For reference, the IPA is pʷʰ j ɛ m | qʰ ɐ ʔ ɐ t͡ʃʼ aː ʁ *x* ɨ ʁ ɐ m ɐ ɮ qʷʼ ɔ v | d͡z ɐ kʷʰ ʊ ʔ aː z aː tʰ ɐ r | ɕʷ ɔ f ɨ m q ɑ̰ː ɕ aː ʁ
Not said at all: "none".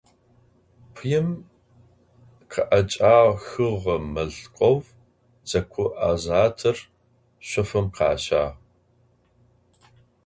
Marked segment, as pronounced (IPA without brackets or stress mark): x